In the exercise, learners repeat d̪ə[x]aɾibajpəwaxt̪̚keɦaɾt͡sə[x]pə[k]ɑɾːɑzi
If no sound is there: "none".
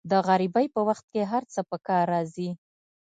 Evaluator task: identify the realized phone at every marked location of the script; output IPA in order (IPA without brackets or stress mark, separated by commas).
ɣ, none, k